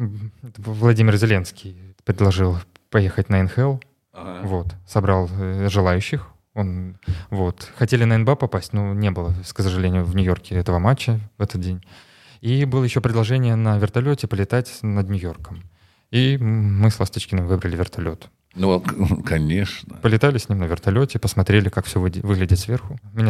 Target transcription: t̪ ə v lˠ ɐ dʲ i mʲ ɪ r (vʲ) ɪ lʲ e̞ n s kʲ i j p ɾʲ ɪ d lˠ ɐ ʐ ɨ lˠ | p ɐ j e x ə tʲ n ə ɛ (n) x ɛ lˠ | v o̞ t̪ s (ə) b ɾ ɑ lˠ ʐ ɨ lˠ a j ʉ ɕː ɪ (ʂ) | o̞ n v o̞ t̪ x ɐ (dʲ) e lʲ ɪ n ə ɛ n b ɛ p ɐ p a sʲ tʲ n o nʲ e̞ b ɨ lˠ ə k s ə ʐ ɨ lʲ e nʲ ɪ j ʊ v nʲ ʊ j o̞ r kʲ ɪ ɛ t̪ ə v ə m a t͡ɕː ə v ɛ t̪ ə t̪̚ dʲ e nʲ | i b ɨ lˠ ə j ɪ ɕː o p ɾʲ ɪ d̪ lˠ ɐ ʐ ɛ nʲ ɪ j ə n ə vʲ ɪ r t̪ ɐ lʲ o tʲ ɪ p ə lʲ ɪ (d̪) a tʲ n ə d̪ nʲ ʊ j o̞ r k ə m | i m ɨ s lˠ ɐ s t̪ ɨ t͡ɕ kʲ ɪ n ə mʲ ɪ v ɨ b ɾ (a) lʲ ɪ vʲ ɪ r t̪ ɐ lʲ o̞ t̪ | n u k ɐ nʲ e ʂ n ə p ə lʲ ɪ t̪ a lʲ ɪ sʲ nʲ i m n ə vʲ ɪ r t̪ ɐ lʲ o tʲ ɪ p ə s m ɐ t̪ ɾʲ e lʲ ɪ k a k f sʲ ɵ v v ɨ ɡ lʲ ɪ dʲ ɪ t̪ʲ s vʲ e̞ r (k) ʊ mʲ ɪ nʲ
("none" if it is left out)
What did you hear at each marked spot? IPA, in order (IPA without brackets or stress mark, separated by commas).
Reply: zʲ, n, ɐ, x, tʲ, t̪, ə, x